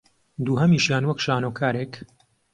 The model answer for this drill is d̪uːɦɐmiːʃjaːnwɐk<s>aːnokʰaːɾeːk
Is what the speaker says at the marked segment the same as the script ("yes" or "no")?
no